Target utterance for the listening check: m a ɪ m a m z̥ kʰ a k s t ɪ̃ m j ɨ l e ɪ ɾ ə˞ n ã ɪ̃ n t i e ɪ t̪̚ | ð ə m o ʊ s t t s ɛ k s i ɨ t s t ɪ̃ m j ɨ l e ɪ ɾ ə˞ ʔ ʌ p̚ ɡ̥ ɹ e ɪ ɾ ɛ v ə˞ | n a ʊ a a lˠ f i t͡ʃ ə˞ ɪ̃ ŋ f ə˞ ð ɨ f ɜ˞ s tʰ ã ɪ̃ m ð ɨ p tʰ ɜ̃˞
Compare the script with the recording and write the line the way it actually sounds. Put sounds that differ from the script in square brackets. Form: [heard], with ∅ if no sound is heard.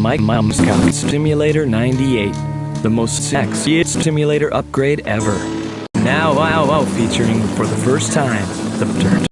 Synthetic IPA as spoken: m a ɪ m a m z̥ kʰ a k s t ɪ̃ m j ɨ l e ɪ ɾ ə˞ n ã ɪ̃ n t i e ɪ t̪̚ | ð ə m o ʊ s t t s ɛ k s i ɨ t s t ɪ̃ m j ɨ l e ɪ ɾ ə˞ ʔ ʌ p̚ ɡ̥ ɹ e ɪ ɾ ɛ v ə˞ | n a ʊ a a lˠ f i t͡ʃ ə˞ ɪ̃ ŋ f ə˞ ð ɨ f ɜ˞ s tʰ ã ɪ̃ m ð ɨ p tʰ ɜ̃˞

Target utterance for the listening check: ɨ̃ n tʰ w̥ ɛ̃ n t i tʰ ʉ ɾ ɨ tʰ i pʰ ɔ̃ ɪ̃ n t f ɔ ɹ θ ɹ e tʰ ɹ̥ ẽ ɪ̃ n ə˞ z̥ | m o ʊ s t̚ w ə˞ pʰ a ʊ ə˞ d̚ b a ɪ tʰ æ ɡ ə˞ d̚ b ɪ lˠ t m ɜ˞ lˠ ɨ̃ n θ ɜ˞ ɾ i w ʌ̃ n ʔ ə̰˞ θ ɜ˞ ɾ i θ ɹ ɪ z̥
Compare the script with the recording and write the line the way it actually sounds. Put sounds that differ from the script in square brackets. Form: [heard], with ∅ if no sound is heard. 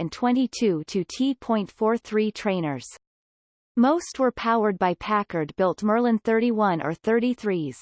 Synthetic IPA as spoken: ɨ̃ n tʰ w̥ ɛ̃ n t i tʰ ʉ ɾ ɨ tʰ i pʰ ɔ̃ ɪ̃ n t f ɔ ɹ θ ɹ [i] tʰ ɹ̥ ẽ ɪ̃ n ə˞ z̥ | m o ʊ s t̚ w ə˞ pʰ a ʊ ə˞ d̚ b a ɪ [pʰ] æ [k] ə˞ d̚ b ɪ lˠ t m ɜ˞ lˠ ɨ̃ n θ ɜ˞ ɾ i w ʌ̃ n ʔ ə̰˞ θ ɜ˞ ɾ i θ ɹ [i] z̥

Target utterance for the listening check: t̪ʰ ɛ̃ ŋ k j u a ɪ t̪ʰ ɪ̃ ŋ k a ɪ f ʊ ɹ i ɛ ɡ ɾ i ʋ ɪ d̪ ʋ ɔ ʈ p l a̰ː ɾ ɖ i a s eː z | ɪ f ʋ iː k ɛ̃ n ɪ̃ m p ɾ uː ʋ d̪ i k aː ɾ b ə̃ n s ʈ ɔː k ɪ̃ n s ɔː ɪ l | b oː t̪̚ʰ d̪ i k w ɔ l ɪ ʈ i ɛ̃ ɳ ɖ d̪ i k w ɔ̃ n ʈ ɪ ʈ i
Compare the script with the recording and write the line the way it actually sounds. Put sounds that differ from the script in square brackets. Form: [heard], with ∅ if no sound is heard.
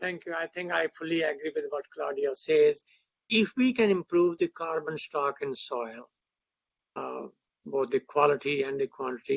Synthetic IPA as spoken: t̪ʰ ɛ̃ ŋ k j u a ɪ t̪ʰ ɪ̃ ŋ k a ɪ f ʊ [l] i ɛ ɡ ɾ i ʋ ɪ d̪ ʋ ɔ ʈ [k] l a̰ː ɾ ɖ i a s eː z | ɪ f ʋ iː k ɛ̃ n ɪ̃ m p ɾ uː ʋ d̪ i k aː ɾ b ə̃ n s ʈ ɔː k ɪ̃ n s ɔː ɪ l | b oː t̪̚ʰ d̪ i k w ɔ l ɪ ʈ i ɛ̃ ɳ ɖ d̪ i k w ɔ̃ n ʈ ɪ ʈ i

